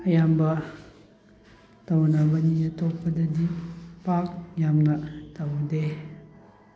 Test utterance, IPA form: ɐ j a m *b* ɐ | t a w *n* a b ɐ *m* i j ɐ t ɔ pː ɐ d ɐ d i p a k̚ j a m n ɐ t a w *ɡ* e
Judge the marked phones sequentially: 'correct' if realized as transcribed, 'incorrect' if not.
correct, correct, incorrect: n, incorrect: d

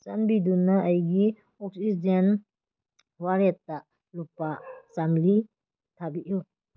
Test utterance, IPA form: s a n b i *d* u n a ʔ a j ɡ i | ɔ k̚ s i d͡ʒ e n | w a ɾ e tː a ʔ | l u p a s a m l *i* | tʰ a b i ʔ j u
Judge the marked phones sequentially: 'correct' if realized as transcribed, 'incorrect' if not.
correct, correct

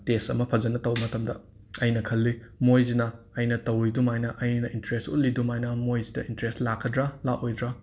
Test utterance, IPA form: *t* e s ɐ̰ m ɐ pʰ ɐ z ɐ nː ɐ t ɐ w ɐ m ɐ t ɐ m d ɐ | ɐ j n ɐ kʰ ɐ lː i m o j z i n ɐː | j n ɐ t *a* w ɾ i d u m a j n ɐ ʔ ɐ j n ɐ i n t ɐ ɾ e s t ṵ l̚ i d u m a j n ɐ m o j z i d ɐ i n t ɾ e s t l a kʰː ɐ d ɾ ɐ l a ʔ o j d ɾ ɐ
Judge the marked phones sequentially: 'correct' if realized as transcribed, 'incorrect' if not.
correct, incorrect: ɐ

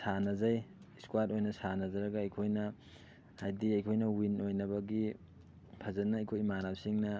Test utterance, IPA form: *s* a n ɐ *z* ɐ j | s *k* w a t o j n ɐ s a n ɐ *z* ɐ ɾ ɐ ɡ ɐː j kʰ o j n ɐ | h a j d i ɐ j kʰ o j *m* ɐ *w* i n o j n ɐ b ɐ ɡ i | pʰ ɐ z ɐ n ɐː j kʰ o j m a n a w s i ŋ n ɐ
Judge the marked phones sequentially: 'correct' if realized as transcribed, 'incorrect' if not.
correct, correct, correct, correct, incorrect: n, correct

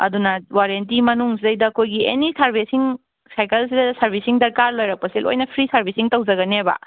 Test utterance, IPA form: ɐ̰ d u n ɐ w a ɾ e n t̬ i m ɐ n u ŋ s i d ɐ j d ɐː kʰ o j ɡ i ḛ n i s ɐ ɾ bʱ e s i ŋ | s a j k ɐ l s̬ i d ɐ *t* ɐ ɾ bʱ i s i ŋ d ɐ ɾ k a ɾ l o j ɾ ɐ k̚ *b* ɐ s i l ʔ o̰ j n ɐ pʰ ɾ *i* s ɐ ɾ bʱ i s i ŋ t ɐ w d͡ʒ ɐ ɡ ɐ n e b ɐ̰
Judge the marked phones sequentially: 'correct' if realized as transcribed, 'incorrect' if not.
incorrect: s, incorrect: p, correct

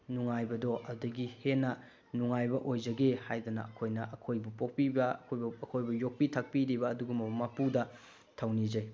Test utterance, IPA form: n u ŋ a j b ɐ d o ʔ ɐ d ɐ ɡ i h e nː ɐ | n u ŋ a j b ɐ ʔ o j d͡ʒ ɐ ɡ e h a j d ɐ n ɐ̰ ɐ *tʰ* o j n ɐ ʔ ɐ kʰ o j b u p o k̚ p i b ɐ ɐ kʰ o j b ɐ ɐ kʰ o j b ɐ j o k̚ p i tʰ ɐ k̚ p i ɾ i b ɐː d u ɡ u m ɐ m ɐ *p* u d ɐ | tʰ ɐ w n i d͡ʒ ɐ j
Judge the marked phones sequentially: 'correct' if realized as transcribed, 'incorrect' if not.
incorrect: kʰ, correct

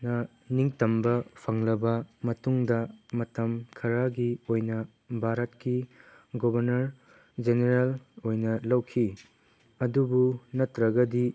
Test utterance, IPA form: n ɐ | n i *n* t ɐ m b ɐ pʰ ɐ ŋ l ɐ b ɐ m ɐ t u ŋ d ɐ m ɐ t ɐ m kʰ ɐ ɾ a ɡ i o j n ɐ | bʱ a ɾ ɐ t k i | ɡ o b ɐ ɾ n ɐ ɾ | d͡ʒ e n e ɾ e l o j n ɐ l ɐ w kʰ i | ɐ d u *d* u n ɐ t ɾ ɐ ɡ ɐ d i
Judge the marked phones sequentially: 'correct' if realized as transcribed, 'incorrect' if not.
incorrect: ŋ, incorrect: b

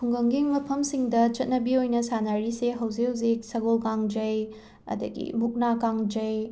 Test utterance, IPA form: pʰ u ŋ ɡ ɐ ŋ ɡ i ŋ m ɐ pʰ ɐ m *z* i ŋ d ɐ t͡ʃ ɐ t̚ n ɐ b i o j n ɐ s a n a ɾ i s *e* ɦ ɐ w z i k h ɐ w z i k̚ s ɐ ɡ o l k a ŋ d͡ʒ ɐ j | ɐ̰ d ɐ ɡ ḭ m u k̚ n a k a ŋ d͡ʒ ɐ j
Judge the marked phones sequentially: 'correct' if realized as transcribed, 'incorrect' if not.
incorrect: s, correct

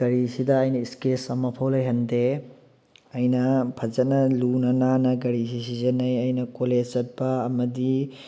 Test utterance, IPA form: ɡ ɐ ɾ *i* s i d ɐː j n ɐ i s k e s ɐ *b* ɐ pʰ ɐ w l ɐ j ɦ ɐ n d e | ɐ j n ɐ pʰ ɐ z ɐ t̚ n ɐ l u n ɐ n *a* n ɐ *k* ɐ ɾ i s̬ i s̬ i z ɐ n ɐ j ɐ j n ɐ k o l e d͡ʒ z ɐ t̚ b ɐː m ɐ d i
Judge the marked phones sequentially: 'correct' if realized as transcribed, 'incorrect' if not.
correct, incorrect: m, correct, incorrect: ɡ

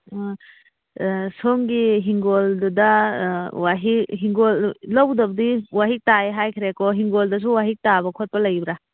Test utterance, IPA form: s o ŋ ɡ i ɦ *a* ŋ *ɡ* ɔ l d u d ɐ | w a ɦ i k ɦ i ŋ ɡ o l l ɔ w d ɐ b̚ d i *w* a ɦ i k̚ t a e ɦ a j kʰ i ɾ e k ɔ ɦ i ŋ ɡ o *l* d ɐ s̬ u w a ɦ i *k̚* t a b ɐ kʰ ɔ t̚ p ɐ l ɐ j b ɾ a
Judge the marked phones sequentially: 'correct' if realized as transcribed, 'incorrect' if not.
incorrect: i, correct, correct, correct, correct

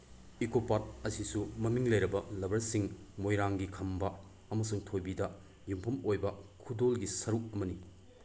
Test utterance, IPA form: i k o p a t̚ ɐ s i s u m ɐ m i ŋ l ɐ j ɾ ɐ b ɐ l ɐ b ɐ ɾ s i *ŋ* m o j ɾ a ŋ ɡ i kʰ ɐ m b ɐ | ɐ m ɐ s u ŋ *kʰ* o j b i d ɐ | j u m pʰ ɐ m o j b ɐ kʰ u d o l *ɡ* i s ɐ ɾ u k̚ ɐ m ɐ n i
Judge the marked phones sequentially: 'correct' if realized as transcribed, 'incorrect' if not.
correct, incorrect: tʰ, correct

